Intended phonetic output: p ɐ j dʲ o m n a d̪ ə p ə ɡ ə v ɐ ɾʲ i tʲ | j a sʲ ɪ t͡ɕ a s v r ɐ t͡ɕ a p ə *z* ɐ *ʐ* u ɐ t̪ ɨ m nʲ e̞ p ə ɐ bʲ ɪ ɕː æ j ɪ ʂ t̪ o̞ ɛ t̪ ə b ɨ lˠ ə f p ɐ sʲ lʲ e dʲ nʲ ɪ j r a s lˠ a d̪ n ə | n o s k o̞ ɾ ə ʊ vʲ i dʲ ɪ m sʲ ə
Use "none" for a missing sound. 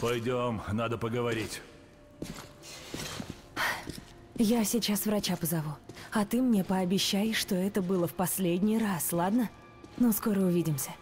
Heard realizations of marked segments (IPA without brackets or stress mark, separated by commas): z, v